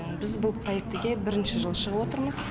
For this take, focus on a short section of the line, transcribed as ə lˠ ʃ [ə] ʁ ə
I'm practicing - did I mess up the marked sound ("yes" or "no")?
no